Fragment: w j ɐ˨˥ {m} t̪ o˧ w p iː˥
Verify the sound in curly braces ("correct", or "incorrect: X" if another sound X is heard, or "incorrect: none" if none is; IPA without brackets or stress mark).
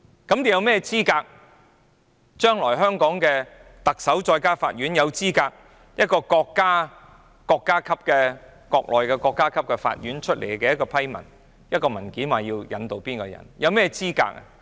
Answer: incorrect: n